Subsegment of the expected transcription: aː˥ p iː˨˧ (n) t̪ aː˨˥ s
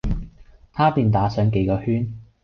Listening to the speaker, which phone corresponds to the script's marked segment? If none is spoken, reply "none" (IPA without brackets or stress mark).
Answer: n